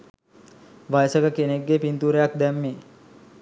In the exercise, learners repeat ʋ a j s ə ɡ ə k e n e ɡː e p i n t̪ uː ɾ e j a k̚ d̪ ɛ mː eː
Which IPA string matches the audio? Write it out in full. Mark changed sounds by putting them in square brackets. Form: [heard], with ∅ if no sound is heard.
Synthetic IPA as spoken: ʋ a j s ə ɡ ə k e n e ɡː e p i n t̪ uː ɾ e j a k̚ d̪ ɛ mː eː